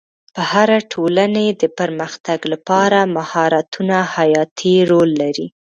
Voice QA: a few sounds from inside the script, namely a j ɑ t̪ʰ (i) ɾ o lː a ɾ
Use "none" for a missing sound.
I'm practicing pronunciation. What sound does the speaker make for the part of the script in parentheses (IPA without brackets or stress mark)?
i